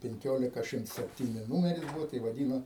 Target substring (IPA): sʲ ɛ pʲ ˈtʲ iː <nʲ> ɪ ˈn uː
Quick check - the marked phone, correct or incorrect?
correct